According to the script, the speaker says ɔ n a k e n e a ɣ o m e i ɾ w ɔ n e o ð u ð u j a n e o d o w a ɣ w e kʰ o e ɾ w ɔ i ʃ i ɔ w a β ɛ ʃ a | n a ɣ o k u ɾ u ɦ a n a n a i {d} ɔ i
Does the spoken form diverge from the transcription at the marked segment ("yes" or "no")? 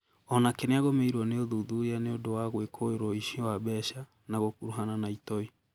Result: yes